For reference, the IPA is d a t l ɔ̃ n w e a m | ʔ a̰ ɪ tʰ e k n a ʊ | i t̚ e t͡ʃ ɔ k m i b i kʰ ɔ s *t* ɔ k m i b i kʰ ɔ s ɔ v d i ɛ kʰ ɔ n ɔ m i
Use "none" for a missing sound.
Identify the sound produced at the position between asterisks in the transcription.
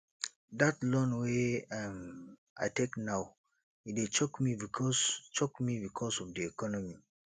t͡ʃ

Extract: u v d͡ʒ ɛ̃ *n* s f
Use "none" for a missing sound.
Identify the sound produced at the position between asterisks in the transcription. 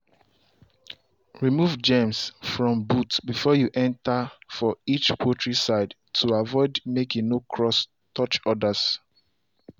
m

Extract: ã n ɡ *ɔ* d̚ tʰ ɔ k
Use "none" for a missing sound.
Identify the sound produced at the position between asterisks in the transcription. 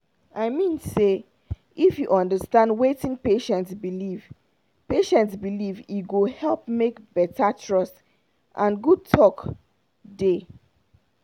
u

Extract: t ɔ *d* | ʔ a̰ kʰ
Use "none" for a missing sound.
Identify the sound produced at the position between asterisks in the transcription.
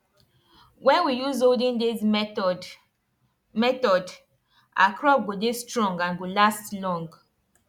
d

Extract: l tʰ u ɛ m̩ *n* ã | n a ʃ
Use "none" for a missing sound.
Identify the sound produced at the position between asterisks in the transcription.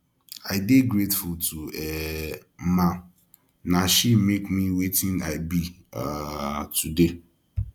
m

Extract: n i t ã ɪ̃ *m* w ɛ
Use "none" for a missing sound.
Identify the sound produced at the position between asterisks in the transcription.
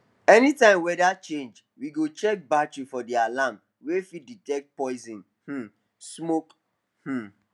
m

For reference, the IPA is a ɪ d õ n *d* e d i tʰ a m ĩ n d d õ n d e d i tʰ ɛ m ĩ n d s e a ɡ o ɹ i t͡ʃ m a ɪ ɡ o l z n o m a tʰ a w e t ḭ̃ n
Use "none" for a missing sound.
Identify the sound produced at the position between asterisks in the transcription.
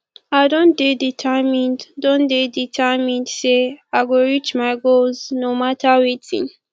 d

